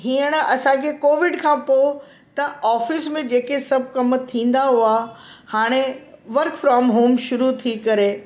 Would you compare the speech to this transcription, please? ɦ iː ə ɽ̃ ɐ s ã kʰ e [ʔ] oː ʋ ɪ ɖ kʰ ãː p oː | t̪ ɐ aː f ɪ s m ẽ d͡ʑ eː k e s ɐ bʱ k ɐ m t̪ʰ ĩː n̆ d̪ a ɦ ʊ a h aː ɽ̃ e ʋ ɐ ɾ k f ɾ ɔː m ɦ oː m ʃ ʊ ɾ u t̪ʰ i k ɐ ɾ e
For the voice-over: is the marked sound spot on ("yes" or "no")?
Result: no